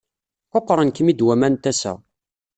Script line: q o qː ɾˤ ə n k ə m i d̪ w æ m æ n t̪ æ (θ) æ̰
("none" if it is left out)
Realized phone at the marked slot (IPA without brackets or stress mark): s